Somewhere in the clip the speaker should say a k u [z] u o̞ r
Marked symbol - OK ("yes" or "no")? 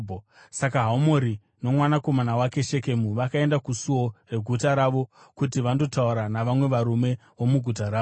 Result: no